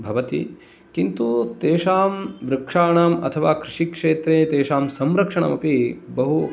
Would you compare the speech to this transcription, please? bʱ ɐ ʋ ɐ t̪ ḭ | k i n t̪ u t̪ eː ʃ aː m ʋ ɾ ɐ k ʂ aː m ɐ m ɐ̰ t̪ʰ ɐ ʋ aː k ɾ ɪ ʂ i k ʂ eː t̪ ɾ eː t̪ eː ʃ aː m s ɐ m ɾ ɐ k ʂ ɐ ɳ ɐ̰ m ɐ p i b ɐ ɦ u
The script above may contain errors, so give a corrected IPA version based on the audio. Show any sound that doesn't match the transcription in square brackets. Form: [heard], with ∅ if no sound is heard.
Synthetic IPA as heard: bʱ ɐ ʋ ɐ t̪ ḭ | k i n t̪ u t̪ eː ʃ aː m ʋ ɾ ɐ k ʂ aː [ɳ] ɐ m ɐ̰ t̪ʰ ɐ ʋ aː k ɾ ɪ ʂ i k ʂ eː t̪ ɾ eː t̪ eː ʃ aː m s ɐ m ɾ ɐ k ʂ ɐ ɳ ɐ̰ m ɐ p i b ɐ ɦ u